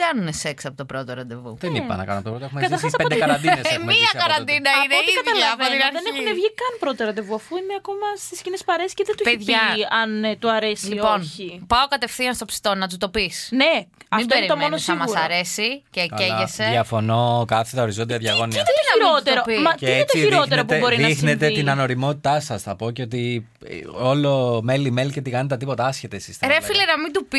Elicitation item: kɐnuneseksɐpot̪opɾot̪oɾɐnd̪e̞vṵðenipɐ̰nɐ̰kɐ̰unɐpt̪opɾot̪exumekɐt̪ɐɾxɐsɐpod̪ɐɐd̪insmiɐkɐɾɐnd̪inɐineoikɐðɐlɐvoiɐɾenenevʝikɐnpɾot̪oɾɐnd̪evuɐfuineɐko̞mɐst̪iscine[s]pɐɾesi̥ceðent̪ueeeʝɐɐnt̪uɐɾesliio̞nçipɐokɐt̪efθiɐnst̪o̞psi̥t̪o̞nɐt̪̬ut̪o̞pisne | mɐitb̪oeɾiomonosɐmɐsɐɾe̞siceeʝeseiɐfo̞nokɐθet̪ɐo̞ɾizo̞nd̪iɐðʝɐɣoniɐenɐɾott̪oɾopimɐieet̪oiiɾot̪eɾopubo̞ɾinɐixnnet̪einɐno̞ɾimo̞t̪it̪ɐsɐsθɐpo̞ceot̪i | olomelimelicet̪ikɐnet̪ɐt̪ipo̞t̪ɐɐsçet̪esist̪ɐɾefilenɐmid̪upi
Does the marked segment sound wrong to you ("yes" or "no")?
no